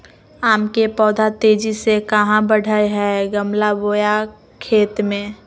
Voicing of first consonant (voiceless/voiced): voiced